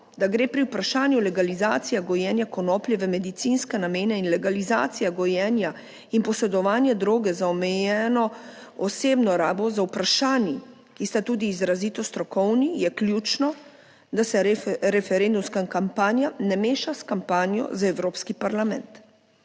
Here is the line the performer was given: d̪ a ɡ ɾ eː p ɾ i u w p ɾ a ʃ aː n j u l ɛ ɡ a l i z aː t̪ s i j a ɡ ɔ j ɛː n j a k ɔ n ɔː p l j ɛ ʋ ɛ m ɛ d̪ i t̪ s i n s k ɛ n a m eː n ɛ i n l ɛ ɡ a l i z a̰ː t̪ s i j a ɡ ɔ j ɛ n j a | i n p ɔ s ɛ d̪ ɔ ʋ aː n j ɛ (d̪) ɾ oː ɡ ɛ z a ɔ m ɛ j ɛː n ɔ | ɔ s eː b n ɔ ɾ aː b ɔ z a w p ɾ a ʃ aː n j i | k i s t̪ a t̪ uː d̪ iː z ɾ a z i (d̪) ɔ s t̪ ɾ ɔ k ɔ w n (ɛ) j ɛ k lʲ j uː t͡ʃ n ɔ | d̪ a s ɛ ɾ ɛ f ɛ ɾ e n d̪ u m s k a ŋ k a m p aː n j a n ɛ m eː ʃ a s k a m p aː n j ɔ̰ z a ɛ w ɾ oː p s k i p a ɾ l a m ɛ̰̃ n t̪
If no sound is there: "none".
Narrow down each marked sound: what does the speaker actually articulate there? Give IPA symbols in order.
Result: d̪, t̪, i

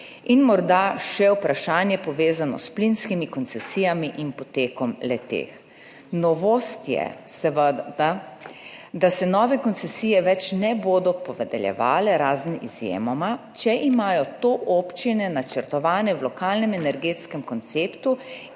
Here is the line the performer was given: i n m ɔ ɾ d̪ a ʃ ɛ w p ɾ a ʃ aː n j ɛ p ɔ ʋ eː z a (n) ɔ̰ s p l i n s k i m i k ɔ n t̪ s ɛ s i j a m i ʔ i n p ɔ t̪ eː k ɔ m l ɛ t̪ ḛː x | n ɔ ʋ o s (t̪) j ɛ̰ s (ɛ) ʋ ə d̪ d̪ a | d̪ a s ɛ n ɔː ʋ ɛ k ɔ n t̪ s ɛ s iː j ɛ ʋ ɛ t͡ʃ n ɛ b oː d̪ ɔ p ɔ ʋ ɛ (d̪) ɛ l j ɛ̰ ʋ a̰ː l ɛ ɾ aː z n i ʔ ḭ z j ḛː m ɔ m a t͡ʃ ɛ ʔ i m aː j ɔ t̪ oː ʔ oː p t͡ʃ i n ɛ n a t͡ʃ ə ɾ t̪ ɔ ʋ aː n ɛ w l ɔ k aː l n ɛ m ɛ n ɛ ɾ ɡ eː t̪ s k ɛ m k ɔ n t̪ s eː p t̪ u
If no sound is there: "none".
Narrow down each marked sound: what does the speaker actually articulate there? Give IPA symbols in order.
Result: n, t̪, ɛ, d̪

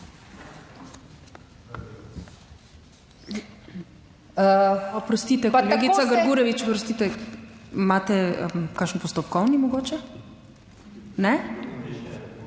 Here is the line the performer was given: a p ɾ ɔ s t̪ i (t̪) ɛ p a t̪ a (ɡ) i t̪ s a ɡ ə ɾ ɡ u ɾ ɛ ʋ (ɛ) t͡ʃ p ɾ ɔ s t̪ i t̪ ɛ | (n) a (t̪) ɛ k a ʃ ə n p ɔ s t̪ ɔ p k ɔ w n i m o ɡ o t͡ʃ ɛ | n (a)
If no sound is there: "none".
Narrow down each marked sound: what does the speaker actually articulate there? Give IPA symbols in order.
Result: t̪, ɡ, i, m, t̪, ɛ

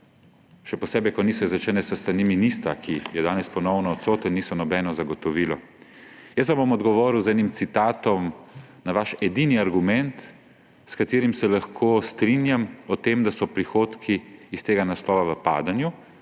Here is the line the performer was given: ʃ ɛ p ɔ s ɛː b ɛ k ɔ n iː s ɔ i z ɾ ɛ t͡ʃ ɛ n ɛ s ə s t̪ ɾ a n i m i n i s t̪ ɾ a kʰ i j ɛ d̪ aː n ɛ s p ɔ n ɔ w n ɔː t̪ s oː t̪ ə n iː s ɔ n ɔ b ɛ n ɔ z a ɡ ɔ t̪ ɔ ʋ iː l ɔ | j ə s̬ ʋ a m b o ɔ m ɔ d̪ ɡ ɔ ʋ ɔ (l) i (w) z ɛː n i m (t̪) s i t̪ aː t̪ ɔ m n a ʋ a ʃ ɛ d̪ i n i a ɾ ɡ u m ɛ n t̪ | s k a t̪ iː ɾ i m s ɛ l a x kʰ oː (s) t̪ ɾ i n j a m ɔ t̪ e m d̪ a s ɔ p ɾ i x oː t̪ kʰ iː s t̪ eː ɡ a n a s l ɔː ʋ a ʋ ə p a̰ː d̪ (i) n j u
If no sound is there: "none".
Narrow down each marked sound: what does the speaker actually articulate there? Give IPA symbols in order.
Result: ɾ, w, t̪, s, a

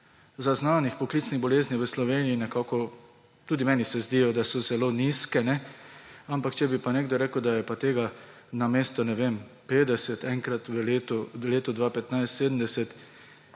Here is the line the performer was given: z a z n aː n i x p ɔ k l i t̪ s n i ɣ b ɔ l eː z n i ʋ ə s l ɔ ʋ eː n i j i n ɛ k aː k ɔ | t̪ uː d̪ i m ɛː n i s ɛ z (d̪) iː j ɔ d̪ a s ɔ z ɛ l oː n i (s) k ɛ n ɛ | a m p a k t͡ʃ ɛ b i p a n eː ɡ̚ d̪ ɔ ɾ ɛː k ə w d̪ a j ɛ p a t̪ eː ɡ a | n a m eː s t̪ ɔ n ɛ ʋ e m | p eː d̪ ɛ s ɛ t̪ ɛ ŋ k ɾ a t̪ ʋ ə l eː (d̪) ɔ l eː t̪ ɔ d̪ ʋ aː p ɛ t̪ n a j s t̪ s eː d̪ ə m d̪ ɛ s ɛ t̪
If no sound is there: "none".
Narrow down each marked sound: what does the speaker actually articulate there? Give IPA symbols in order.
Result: d̪, s, t̪

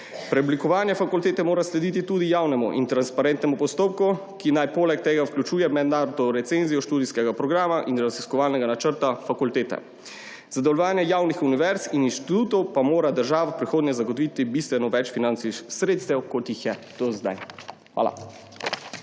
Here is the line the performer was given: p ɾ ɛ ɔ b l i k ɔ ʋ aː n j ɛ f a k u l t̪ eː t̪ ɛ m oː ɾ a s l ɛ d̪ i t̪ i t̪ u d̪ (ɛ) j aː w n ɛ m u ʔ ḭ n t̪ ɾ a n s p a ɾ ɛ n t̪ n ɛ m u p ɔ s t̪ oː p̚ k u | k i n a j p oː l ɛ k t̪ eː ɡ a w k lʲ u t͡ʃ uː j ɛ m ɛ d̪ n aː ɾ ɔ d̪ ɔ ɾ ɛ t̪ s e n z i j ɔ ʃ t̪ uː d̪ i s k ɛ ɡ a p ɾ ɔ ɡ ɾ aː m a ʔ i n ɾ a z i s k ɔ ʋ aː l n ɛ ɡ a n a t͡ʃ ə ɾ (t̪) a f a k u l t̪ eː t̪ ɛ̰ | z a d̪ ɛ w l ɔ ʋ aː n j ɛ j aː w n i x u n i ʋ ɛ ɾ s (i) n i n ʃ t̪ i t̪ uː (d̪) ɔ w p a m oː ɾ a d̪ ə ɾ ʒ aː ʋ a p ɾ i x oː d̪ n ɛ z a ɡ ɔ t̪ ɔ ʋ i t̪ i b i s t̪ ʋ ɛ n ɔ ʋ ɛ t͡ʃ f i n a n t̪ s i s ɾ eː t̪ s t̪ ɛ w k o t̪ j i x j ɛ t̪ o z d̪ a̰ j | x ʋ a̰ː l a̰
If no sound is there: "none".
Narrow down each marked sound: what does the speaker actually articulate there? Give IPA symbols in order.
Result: i, t̪, i, t̪

